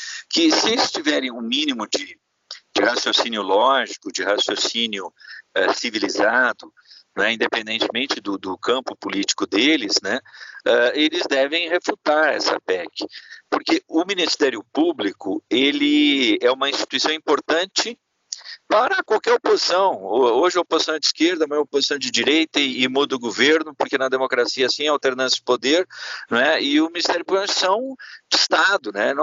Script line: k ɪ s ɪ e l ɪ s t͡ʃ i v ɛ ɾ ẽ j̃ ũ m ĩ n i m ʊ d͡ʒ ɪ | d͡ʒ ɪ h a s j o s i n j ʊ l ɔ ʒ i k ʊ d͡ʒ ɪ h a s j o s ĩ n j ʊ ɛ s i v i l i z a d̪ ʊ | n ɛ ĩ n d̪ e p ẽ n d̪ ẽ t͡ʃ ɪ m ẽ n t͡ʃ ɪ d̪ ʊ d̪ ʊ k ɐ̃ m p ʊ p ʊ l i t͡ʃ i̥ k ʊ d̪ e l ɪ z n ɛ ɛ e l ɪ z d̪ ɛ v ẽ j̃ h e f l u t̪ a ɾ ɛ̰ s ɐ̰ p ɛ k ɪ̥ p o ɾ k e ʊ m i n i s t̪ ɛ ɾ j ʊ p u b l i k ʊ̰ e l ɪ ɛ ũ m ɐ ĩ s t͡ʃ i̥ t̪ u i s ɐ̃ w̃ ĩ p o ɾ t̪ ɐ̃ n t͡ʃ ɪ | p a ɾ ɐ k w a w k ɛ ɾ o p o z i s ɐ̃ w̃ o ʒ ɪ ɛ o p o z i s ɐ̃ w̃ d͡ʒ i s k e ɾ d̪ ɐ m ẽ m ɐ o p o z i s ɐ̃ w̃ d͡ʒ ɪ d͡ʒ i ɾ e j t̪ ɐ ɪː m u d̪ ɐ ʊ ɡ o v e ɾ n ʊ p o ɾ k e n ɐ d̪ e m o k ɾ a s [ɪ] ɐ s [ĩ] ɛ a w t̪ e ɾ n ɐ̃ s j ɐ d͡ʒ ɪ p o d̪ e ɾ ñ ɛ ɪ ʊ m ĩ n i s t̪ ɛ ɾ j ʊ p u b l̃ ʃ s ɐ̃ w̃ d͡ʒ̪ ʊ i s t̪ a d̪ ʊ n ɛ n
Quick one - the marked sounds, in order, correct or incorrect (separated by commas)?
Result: incorrect, correct